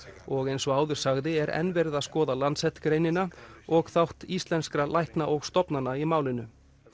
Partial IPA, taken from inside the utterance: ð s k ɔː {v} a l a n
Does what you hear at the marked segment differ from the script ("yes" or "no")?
yes